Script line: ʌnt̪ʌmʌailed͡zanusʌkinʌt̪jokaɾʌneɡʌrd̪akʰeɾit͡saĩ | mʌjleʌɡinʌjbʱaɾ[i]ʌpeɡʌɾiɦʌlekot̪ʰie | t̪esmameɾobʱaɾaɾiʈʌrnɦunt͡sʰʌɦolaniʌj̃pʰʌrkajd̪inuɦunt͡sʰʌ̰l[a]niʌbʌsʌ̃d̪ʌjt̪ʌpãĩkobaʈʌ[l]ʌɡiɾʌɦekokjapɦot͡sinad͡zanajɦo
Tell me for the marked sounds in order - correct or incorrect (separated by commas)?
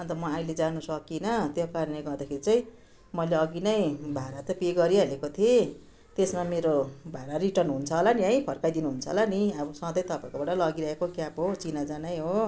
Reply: incorrect, correct, correct